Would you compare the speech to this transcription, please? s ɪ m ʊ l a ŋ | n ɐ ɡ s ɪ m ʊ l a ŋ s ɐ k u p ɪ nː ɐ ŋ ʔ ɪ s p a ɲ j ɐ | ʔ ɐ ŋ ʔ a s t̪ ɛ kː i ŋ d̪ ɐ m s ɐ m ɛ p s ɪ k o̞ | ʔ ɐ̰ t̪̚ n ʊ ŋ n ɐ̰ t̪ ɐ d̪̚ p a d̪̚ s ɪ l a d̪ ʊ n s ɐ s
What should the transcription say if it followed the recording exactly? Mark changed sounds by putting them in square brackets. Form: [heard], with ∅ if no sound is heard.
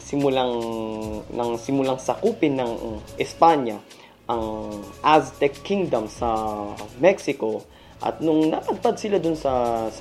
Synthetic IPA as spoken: s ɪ m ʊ l a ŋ | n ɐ [ŋ] s ɪ m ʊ l a ŋ s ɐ k u p ɪ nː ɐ ŋ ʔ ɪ s p a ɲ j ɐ | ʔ ɐ ŋ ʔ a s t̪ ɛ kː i ŋ d̪ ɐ m s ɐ m ɛ [k] s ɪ k o̞ | ʔ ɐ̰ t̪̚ n ʊ ŋ n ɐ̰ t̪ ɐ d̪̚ p a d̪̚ s ɪ l a d̪ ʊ n s ɐ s